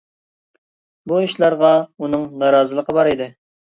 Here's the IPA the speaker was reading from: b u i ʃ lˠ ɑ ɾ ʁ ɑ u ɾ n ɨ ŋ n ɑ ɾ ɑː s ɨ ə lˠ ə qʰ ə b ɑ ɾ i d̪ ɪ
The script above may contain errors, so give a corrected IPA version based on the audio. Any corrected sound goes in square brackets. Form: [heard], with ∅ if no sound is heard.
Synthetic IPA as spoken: b u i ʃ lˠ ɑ ɾ ʁ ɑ u [∅] n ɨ ŋ n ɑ ɾ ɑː [z] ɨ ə lˠ ə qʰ ə b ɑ ɾ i d̪ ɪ